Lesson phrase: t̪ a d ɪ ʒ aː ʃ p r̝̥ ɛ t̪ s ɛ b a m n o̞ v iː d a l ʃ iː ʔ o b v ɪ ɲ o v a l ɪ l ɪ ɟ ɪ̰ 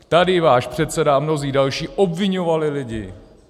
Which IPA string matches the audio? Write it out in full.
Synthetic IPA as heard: t̪ a d ɪ v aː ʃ p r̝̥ ɛ t̪ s ɛ d a m n o̞ z iː d a l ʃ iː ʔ o b v ɪ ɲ o v a l ɪ l ɪ ɟ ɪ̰